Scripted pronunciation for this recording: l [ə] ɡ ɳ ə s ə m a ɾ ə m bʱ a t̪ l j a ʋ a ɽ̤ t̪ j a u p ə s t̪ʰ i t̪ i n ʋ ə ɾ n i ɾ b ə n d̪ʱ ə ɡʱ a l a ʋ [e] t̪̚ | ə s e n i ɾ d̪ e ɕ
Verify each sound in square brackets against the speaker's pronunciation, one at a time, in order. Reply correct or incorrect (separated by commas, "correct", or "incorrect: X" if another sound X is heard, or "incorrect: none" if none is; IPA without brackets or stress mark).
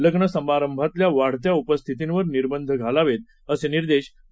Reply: correct, correct